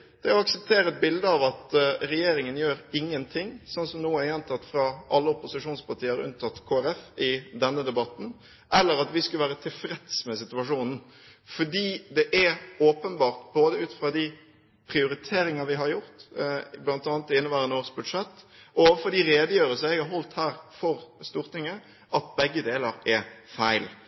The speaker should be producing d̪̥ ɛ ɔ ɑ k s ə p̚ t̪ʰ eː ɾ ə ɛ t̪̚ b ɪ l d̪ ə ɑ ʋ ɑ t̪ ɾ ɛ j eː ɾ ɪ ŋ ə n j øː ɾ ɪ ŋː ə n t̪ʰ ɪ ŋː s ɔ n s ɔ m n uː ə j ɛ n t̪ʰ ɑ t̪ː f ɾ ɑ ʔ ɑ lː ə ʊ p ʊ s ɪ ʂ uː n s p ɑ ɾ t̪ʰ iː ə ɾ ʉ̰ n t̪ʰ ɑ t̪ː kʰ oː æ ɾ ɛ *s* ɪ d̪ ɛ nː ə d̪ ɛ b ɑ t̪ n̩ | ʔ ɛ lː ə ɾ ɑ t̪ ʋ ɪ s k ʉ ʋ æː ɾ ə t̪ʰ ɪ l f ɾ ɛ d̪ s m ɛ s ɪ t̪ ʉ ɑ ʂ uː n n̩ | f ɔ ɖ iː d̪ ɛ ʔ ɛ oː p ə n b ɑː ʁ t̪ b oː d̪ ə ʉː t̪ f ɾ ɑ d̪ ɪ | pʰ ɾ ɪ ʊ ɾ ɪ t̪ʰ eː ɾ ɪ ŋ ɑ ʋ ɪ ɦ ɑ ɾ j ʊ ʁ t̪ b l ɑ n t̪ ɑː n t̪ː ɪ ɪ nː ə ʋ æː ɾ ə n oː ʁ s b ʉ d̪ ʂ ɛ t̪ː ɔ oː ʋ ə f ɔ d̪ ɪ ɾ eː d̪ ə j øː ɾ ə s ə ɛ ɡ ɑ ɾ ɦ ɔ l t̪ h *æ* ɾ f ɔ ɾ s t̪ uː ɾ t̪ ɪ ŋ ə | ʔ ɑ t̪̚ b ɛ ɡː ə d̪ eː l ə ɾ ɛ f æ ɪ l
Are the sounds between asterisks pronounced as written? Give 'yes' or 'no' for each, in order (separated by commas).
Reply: no, no